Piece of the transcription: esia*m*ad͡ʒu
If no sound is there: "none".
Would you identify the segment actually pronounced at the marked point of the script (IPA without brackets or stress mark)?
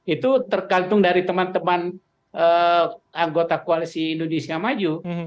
m